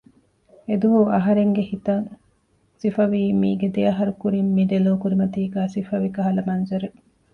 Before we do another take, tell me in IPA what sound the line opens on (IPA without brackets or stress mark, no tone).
e